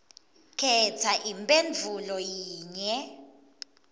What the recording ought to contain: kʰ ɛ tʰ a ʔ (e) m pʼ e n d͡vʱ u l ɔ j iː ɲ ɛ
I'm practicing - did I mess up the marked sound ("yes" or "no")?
yes